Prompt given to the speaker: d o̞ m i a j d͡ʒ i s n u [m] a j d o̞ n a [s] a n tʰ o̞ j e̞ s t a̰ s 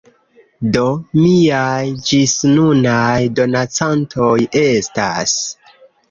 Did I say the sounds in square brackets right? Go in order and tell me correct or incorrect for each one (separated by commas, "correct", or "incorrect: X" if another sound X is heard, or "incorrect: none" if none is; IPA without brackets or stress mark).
incorrect: n, incorrect: t͡s